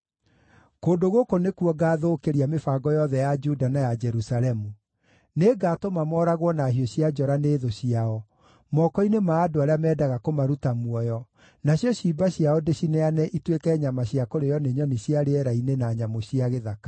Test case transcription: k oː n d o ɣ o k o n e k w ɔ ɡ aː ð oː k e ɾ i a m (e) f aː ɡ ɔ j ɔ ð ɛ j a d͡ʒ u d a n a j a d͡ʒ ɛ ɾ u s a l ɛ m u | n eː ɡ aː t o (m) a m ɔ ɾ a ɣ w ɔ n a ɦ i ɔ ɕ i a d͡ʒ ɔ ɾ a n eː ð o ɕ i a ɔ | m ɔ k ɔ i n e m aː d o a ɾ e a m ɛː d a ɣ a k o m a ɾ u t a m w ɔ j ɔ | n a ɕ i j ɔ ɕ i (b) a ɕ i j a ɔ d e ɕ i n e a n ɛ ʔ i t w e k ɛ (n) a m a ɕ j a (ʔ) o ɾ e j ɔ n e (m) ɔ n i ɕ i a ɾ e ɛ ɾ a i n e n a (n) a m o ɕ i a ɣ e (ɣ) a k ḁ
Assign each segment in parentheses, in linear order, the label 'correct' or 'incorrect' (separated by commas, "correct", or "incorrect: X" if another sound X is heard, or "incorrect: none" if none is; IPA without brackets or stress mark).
correct, correct, correct, incorrect: ɲ, incorrect: k, incorrect: ɲ, incorrect: ɲ, incorrect: ð